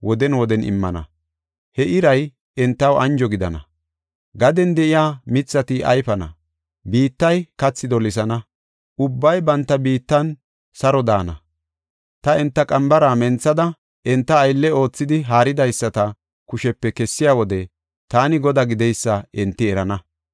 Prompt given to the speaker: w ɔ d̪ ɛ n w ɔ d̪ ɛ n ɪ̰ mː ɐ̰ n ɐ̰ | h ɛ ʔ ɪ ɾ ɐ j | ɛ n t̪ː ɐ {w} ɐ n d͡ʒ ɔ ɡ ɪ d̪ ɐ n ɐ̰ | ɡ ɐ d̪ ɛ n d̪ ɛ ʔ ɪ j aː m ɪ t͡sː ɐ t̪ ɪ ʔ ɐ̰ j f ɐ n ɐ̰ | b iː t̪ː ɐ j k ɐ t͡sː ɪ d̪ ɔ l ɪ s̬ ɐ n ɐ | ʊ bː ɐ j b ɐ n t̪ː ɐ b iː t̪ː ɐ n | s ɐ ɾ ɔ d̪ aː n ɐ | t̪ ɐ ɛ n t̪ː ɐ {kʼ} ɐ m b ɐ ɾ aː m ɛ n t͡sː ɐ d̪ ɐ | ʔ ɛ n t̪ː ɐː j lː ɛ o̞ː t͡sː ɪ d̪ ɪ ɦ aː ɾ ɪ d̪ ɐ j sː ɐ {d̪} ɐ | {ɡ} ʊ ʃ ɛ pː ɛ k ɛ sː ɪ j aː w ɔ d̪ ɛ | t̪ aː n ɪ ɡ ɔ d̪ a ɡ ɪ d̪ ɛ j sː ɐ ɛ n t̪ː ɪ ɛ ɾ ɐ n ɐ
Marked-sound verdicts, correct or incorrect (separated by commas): correct, correct, incorrect, incorrect